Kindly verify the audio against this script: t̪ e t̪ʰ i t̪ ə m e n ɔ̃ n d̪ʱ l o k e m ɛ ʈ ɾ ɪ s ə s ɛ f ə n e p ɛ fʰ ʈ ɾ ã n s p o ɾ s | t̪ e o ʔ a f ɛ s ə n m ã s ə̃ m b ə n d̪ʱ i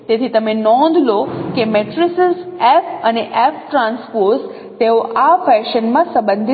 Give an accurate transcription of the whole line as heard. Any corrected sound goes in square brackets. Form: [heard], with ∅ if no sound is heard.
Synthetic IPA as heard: t̪ e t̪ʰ i t̪ ə m e n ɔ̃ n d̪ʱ l o k e m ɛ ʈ ɾ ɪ s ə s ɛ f ə n e [ʔ] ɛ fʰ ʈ ɾ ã n s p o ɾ s | t̪ e o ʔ a f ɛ [ʃ] ə n m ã s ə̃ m b ə n d̪ʱ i